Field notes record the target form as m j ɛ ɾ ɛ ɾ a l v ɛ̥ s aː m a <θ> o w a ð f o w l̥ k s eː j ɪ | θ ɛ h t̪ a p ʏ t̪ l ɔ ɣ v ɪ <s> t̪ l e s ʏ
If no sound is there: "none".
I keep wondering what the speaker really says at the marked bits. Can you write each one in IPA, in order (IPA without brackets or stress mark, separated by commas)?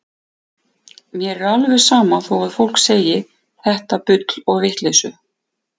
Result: θ, h